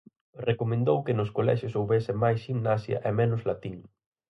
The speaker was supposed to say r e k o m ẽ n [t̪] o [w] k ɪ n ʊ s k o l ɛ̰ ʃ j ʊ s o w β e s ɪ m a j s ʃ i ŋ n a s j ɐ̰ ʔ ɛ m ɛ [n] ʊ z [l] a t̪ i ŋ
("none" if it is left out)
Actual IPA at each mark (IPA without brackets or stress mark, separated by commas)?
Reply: d̪, w, n, l